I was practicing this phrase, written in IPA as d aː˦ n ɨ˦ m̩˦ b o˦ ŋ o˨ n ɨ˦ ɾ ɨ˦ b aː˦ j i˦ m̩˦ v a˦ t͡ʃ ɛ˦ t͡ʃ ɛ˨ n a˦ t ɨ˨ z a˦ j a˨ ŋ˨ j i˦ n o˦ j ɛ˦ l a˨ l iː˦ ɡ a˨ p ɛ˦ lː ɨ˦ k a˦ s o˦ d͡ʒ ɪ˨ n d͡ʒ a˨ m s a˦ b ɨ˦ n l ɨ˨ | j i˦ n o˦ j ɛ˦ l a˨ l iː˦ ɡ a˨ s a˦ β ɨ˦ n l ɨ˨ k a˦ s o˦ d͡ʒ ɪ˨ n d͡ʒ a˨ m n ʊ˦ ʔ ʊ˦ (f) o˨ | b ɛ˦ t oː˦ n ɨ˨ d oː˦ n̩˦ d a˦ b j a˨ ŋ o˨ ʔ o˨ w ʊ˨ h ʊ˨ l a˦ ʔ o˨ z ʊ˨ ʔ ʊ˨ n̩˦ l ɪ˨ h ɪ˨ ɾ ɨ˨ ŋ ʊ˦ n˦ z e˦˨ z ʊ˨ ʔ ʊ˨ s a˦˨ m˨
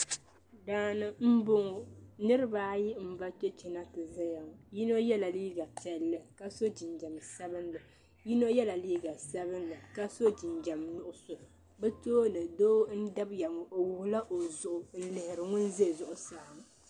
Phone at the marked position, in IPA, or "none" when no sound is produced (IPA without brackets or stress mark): s